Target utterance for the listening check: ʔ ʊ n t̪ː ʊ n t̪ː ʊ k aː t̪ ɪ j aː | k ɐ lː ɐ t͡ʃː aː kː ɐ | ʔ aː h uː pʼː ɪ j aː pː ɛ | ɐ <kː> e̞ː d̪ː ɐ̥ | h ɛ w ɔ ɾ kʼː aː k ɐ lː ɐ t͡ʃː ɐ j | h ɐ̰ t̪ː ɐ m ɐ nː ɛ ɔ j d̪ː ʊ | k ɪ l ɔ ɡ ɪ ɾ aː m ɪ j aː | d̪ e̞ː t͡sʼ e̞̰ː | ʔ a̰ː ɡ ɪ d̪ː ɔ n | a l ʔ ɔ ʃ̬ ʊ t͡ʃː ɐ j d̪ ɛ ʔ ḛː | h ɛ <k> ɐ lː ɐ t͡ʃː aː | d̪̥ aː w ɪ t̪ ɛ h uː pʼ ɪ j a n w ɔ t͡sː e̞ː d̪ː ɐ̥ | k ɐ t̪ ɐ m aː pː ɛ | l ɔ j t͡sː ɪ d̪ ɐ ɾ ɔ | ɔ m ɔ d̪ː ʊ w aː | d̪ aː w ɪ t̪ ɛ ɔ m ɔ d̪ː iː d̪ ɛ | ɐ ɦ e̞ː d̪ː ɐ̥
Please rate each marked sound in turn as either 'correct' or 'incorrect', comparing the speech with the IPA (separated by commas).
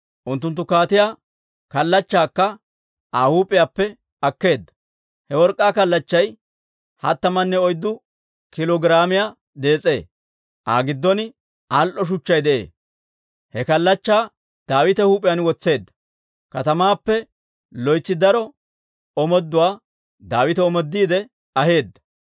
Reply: correct, correct